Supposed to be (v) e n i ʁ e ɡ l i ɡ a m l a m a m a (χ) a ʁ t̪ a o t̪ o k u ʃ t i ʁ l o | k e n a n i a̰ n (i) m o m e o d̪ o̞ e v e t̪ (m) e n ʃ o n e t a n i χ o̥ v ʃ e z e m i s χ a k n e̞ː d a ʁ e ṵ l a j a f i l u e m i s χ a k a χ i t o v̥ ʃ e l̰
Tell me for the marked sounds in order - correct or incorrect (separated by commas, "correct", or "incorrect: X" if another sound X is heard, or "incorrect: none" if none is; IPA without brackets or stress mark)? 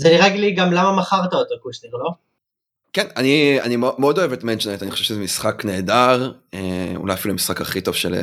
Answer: incorrect: z, correct, correct, correct